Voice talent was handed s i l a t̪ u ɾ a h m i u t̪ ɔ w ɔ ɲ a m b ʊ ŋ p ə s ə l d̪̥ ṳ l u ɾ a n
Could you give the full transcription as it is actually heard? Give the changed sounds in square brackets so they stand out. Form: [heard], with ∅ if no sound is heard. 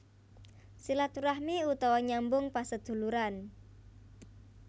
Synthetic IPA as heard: s i l a t̪ u ɾ a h m i u t̪ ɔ w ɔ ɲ a m b ʊ ŋ p [a] s ə [∅] d̪̥ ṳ l u ɾ a n

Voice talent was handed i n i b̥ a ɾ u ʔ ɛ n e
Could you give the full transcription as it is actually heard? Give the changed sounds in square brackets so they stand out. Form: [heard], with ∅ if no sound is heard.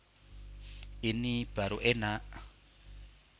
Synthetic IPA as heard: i n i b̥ a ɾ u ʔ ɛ n [a]

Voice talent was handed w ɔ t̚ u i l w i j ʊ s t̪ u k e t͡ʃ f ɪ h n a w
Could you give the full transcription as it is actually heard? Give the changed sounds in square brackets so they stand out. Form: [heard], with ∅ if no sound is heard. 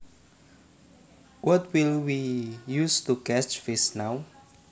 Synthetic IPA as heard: w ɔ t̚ [w] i l w i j [u] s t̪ u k [ɛ] t͡ʃ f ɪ [s] n a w

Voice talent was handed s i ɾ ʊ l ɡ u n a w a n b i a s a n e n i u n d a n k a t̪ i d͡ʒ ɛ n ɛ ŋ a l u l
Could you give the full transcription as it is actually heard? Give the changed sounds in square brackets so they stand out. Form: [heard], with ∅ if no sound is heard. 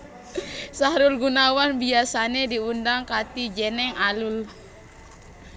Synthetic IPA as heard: s [a] ɾ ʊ l ɡ u n a w a n b i a s a n e [d] i u n d a [ŋ] k a t̪ i d͡ʒ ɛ n ɛ ŋ a l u l

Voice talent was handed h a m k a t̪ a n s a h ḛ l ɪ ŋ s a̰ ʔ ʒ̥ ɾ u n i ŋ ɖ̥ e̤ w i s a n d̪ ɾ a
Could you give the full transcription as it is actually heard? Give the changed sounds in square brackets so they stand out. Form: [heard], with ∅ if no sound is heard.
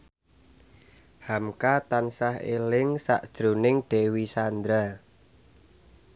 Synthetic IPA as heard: h a m k a t̪ a n s a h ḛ l ɪ ŋ s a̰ ʔ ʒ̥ ɾ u n [ɪ] ŋ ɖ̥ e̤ w i s a n d̪ ɾ a

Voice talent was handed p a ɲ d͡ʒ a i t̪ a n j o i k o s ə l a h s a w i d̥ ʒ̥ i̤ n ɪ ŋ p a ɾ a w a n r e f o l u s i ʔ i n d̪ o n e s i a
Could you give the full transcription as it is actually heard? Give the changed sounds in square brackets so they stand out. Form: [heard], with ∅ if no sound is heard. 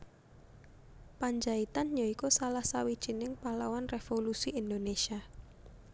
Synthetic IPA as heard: p a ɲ d͡ʒ a i t̪ a n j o i k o s [a] l a h s a w i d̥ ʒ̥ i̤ n ɪ ŋ p a [l] a w a n r e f o l u s i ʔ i n d̪ o n e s i a

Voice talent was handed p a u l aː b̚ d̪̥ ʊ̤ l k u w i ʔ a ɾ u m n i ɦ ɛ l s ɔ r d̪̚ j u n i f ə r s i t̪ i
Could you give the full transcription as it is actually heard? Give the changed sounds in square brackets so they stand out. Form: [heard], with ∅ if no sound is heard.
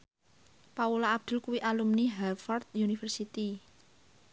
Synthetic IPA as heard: p a u l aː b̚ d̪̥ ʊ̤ l k u w i ʔ a [l] u m n i ɦ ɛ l [f] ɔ r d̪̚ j u n i f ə r s i t̪ i

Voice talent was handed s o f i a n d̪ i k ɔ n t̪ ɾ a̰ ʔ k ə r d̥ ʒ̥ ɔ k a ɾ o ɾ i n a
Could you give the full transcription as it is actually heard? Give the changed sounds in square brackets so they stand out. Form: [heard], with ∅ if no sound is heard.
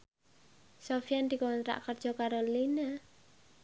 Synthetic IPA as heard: s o f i a n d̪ i k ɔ n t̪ ɾ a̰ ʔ k ə r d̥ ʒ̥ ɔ k a ɾ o [l] i n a

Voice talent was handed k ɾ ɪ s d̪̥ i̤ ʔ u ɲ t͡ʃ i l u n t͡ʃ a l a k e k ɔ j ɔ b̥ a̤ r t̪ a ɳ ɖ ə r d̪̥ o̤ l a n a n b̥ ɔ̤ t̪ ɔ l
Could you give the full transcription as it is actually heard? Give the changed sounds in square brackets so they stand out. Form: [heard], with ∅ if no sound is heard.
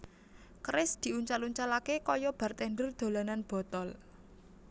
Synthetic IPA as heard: k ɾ ɪ s d̪̥ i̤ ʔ u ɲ t͡ʃ [a] l u [ɲ] t͡ʃ a l a k e k ɔ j ɔ b̥ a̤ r t̪ [ɛ] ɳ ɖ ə r d̪̥ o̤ l a n a n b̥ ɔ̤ t̪ ɔ l

